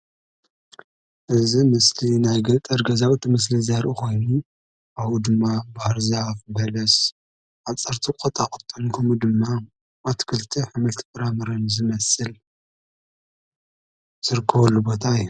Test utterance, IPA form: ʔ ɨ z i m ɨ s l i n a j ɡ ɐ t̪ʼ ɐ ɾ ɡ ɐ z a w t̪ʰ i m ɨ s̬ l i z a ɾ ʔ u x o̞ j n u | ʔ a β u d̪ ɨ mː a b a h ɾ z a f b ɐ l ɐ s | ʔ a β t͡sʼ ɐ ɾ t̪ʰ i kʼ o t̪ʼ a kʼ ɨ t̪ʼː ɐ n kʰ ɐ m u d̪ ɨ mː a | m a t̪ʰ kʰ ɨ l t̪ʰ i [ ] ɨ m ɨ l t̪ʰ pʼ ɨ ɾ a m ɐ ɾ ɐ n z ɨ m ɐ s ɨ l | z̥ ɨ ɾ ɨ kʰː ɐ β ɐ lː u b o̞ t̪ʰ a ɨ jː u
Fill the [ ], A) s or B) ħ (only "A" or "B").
B